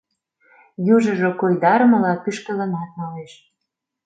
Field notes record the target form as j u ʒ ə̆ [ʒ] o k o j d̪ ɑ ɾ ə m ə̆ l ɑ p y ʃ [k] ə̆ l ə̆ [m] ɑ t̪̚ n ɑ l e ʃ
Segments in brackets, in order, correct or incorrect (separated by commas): correct, correct, incorrect